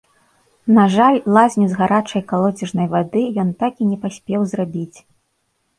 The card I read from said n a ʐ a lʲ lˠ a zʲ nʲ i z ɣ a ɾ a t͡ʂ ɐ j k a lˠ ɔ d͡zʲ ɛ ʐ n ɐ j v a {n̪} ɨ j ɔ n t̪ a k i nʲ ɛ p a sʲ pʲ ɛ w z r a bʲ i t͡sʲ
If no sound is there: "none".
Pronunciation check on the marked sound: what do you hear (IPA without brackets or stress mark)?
d̪